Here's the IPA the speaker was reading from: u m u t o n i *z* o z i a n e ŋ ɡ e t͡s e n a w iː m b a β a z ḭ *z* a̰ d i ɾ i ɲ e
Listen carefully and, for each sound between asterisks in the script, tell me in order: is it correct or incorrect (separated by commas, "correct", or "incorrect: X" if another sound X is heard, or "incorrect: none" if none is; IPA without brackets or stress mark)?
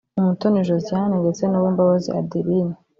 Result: incorrect: ʒ, incorrect: none